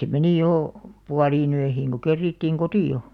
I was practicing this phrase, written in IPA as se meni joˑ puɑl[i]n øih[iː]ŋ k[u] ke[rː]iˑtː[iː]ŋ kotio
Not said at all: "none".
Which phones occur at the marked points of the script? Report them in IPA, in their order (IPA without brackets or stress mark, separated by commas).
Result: iː, iː, o, rː, iː